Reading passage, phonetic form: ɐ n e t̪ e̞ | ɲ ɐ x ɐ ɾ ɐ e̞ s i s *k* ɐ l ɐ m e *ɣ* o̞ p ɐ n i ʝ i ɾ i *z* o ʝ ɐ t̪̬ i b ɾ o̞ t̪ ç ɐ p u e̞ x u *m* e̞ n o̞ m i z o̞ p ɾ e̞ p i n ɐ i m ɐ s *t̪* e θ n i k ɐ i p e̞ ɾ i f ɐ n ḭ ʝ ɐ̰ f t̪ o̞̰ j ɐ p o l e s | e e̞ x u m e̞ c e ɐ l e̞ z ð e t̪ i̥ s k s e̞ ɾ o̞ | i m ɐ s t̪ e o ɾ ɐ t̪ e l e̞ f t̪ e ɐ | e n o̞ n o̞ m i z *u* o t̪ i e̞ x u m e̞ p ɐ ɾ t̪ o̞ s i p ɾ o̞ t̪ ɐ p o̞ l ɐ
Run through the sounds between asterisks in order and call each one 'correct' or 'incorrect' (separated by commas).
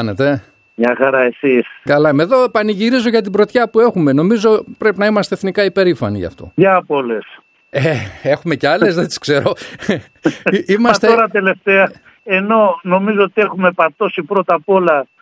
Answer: correct, incorrect, correct, correct, correct, incorrect